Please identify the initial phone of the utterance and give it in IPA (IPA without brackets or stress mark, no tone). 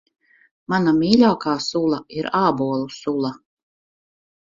m